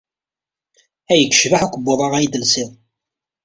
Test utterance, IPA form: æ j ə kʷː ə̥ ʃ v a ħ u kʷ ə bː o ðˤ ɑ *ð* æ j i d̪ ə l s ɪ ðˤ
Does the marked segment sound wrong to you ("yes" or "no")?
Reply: yes